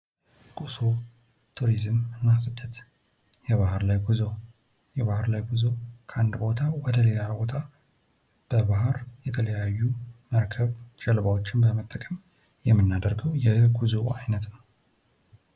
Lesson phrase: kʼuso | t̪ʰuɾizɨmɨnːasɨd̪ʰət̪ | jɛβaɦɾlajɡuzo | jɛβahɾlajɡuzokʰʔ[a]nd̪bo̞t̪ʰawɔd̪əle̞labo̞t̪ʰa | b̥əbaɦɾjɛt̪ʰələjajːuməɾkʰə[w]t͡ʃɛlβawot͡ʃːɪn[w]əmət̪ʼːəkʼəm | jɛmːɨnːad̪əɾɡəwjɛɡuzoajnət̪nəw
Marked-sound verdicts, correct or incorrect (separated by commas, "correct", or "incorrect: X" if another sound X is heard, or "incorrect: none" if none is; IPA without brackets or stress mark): correct, incorrect: β, incorrect: b